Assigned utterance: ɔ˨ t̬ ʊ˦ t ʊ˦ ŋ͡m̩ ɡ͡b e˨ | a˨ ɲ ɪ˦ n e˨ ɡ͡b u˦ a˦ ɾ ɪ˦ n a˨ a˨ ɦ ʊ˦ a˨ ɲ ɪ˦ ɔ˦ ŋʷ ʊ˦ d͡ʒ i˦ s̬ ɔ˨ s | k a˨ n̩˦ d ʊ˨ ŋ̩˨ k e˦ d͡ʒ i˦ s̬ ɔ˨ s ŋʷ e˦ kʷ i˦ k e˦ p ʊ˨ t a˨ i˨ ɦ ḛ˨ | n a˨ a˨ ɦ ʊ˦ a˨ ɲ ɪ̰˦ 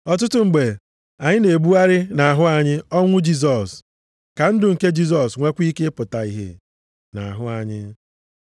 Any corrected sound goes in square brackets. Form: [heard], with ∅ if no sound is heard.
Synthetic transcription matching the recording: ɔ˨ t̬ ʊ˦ t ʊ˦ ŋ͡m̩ ɡ͡b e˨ | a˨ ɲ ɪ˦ n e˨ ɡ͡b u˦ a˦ ɾ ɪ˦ n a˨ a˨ ɦ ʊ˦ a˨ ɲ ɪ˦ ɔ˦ ŋʷ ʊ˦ d͡ʒ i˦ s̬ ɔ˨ s | k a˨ n̩˦ d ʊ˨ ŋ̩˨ k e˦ d͡ʒ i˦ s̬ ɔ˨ s ŋʷ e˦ kʷ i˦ k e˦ p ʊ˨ t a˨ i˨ ɦ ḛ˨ | n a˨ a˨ ɦ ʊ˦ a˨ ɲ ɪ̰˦